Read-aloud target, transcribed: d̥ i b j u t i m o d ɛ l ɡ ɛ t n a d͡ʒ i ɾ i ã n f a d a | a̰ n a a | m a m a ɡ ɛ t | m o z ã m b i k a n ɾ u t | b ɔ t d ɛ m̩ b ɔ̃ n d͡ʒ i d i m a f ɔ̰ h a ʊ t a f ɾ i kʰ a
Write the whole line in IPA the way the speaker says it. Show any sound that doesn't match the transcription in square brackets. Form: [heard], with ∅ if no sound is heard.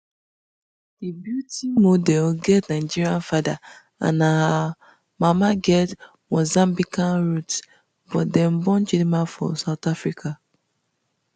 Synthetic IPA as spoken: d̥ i b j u t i m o d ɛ l ɡ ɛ t n a d͡ʒ i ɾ i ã n f a d a | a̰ n a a | m a m a ɡ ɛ t | m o z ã m b i k a n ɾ u t | b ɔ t d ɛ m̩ b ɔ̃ n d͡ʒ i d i m a f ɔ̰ [s] a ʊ t a f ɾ i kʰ a